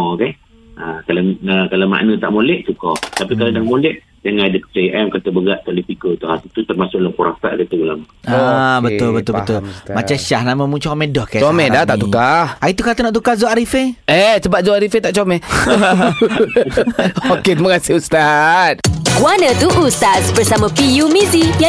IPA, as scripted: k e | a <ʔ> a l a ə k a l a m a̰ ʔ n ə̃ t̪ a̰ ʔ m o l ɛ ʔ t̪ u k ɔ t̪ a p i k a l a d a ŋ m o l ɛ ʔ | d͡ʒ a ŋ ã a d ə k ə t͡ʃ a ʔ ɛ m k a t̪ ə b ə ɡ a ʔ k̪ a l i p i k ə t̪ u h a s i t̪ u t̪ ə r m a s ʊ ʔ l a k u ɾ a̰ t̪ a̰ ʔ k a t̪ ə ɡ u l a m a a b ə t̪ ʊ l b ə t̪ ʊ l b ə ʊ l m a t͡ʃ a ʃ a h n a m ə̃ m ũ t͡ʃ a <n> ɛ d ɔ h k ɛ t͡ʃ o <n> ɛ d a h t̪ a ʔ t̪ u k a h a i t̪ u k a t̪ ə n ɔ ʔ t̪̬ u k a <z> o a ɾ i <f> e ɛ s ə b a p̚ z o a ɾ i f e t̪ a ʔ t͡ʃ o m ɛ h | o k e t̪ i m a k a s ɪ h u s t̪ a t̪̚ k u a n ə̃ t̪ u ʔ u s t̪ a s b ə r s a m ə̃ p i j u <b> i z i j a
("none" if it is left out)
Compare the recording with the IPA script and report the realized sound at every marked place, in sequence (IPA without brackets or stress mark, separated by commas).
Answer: k, m, m, z, f, m